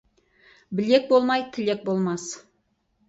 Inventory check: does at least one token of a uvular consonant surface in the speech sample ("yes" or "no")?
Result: no